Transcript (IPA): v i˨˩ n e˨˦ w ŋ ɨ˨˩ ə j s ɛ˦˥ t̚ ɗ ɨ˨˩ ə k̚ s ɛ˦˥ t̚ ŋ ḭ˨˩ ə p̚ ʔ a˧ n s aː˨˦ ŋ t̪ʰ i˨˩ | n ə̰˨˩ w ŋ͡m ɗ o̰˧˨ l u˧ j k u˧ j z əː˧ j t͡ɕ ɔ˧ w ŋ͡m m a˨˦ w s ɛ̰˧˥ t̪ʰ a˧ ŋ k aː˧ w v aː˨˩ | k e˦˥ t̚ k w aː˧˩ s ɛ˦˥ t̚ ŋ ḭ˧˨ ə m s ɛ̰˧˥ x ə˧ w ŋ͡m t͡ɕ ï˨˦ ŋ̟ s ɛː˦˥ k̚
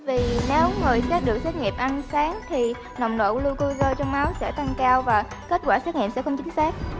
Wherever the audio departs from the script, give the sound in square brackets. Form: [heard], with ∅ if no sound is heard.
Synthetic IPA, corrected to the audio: v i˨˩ n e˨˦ w ŋ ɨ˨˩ ə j s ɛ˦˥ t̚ ɗ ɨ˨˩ ə k̚ s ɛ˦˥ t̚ ŋ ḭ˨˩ ə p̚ ʔ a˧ n s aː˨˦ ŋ t̪ʰ i˨˩ | n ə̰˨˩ w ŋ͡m ɗ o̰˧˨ l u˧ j k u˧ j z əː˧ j t͡ɕ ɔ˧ w ŋ͡m m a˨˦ w s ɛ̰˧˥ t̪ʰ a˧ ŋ k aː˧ w v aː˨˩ | k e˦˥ t̚ k w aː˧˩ s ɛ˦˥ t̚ ŋ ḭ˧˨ ə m s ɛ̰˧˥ x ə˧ w ŋ͡m t͡ɕ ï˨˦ ŋ̟ s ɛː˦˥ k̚

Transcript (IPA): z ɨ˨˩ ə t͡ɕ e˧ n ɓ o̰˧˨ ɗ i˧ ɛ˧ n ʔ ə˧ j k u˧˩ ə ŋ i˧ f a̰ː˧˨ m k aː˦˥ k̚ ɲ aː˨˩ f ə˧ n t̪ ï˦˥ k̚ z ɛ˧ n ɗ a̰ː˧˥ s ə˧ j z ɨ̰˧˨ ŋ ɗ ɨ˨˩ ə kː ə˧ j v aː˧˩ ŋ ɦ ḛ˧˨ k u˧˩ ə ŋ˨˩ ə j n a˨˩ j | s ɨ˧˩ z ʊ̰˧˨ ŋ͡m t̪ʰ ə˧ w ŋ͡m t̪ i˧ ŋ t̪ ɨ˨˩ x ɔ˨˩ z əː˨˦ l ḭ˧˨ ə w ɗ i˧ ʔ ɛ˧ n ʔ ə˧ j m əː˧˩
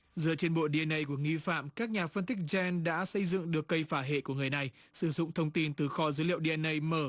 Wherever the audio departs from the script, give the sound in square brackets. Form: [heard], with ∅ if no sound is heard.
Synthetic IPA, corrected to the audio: z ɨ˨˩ ə t͡ɕ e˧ n ɓ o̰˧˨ ɗ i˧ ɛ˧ n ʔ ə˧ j k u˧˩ ə ŋ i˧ f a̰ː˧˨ m k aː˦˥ k̚ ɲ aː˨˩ f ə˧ n t̪ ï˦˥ k̚ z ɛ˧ n ɗ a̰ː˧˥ s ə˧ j z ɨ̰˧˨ ŋ ɗ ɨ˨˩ ə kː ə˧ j [f] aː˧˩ [∅] ɦ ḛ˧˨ k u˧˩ ə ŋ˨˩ ə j n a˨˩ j | s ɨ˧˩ z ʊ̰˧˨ ŋ͡m t̪ʰ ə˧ w ŋ͡m t̪ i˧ [n] t̪ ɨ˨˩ x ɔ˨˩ z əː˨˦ l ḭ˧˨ ə w ɗ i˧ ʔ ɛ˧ n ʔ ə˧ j m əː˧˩

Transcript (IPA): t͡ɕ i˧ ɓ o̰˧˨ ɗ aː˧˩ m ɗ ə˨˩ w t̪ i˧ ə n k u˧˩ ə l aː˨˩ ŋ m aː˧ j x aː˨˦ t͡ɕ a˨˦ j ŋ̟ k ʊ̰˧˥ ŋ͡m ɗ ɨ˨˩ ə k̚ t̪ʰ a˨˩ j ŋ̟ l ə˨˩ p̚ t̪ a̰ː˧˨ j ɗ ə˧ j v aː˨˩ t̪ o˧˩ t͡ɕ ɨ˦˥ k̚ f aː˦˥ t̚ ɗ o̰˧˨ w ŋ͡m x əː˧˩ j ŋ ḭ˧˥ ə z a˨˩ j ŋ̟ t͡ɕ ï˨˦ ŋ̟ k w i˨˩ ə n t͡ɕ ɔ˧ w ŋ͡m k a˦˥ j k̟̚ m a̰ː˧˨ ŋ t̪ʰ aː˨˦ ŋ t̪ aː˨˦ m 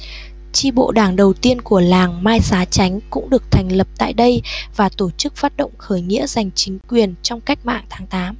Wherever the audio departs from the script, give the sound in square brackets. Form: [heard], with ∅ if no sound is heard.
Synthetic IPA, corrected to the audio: t͡ɕ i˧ ɓ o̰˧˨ ɗ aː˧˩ [ŋ] ɗ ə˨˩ w t̪ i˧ ə n k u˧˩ ə l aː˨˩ ŋ m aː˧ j [s] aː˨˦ t͡ɕ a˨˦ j ŋ̟ k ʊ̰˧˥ ŋ͡m ɗ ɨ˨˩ ə k̚ t̪ʰ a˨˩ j ŋ̟ l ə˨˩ p̚ t̪ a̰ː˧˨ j ɗ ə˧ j v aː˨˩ t̪ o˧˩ t͡ɕ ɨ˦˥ k̚ f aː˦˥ t̚ ɗ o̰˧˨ w ŋ͡m x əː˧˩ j ŋ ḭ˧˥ ə z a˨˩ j ŋ̟ t͡ɕ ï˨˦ ŋ̟ k w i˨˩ ə n t͡ɕ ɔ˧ w ŋ͡m k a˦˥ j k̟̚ m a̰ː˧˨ ŋ t̪ʰ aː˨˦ ŋ t̪ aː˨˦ m

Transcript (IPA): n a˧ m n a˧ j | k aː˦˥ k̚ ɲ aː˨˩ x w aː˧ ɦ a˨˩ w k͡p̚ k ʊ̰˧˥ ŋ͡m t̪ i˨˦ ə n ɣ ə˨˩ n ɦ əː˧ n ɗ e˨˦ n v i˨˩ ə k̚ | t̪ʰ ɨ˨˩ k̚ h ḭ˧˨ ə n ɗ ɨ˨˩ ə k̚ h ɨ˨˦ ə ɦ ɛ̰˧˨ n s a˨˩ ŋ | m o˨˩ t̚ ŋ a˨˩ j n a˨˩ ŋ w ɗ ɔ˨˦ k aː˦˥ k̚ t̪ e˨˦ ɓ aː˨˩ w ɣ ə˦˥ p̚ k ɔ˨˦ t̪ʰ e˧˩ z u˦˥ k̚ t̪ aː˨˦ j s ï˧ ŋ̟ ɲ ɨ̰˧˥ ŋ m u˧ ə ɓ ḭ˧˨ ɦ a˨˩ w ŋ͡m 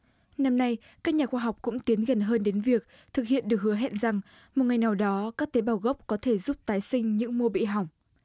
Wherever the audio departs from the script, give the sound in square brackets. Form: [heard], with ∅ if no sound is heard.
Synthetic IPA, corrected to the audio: n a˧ m n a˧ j | k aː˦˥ k̚ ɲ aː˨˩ x w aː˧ ɦ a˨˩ w k͡p̚ k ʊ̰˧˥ ŋ͡m t̪ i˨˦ ə n ɣ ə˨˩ n ɦ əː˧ n ɗ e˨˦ n v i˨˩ ə k̚ | t̪ʰ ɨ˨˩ k̚ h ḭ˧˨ ə n ɗ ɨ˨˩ ə k̚ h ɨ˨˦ ə ɦ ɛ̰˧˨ n [z] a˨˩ ŋ | m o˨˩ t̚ ŋ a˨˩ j n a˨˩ [∅] w ɗ ɔ˨˦ k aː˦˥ k̚ t̪ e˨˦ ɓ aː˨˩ w ɣ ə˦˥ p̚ k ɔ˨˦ t̪ʰ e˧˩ z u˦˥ [p̚] t̪ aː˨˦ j s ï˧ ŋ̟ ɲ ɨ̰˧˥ ŋ m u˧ ə ɓ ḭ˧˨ ɦ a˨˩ w ŋ͡m

